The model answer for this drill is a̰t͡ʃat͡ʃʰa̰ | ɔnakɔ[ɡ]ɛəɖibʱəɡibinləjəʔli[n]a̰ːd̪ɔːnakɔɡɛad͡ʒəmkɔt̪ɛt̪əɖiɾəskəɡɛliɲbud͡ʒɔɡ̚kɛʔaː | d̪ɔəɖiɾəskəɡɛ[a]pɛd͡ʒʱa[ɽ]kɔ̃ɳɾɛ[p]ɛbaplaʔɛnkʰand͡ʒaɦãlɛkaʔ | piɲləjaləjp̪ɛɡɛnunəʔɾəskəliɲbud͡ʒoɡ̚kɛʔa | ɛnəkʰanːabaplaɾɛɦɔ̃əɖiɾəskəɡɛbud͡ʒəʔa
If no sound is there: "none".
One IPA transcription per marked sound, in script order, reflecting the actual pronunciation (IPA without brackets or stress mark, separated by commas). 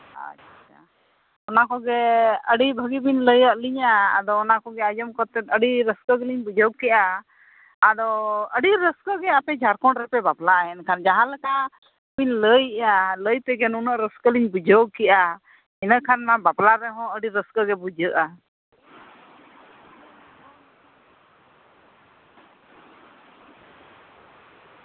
ɡ, ɲ, a, ɾ, p